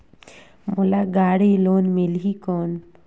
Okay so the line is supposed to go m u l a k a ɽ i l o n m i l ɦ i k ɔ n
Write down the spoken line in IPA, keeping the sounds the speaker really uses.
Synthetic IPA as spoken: m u l a ɡ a ɽ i l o n m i l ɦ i k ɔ n

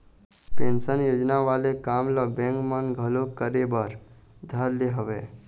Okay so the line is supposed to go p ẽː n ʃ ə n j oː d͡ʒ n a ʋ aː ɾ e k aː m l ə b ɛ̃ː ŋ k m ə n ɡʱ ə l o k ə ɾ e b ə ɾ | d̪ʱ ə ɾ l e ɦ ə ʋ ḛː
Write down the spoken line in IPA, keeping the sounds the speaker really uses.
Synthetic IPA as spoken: p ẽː n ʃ ə n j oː d͡ʒ n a ʋ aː l e k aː m l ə b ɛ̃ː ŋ k m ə n ɡʱ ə l o k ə ɾ e b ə ɾ | d̪ʱ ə ɾ l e ɦ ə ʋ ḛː

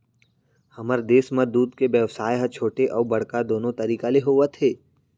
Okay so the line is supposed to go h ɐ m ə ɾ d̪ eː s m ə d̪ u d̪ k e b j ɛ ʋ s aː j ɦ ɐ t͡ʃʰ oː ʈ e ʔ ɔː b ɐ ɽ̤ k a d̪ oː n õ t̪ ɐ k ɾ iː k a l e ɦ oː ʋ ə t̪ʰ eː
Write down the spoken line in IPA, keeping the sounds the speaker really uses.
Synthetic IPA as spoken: h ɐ m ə ɾ d̪ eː s m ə d̪ uː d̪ k e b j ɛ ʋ s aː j ɦ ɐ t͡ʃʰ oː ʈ e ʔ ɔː b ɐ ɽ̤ k a d̪ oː n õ t̪ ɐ ɾ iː k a l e ɦ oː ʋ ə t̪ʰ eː

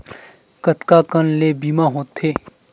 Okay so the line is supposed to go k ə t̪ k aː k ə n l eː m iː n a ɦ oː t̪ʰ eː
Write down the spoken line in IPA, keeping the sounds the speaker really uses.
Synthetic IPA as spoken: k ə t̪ k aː k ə n l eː b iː m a ɦ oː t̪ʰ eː

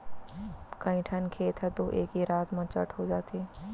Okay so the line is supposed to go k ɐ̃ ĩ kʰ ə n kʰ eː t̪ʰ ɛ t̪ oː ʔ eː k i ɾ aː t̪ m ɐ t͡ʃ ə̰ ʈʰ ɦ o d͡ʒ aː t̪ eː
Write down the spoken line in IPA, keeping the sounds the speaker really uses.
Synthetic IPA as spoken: k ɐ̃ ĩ ʈʰ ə n kʰ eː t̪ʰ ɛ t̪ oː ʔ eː k i ɾ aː t̪ m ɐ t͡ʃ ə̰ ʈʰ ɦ o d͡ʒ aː t̪ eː

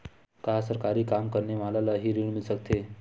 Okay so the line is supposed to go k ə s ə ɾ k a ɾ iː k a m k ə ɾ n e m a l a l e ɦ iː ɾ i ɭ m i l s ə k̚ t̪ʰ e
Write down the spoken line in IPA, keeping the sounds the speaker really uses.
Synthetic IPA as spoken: k a s ə ɾ k a ɾ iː k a m k ə ɾ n e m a l a l a ɦ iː ɾ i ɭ m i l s ə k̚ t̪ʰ e

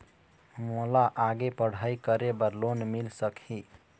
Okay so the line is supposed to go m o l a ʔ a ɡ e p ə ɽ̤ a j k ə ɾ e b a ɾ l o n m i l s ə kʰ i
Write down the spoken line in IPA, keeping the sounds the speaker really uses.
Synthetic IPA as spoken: m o l a ʔ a ɡ e p ə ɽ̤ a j k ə ɾ e b ə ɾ l o n m i l s ə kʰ i

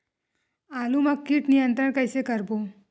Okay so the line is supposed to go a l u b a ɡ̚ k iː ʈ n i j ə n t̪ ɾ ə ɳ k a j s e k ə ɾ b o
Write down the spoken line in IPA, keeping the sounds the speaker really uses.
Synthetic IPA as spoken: a l u m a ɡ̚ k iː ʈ n i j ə n t̪ ɾ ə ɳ k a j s e k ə ɾ b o

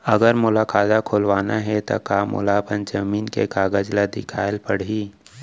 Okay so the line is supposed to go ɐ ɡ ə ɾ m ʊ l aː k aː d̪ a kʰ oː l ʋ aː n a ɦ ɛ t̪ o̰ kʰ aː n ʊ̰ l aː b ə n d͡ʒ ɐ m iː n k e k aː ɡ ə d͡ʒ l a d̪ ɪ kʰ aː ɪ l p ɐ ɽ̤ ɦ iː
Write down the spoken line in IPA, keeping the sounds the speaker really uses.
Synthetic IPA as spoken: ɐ ɡ ə ɾ m ʊ l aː k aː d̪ a kʰ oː l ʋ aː n a ɦ ɛ t̪ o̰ k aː m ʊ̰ l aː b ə n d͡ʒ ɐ m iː n k e k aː ɡ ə d͡ʒ l a d̪ ɪ kʰ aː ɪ l p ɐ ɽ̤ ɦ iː

